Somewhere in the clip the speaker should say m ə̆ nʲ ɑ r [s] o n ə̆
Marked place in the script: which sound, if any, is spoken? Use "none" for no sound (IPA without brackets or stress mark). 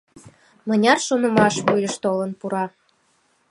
ʃ